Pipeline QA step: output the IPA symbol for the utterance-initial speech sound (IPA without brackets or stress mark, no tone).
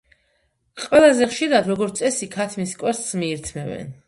qʼ